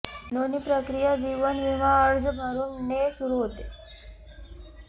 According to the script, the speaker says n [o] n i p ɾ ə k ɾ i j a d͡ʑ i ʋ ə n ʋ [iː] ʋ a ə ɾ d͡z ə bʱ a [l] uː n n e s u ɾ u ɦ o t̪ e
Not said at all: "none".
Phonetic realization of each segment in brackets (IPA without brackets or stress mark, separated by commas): o, i, ɾ